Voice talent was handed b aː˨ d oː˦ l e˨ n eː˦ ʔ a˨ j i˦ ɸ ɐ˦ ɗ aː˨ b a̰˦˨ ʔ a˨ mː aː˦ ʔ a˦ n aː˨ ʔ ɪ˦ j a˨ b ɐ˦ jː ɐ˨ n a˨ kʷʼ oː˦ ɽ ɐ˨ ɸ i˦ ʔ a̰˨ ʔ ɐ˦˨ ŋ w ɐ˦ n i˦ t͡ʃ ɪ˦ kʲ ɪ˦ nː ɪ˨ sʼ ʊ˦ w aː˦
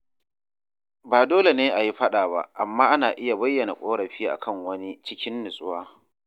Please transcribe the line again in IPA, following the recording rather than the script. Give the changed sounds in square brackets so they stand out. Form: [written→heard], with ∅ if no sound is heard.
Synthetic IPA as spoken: b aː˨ d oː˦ l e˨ n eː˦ ʔ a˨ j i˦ ɸ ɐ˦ ɗ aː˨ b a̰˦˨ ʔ a˨ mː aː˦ ʔ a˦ n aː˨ ʔ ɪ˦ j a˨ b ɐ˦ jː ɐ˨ n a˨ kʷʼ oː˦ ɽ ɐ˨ ɸ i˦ ʔ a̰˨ [ʔ→k] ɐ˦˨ ŋ w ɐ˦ n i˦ t͡ʃ ɪ˦ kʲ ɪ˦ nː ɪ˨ sʼ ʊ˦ w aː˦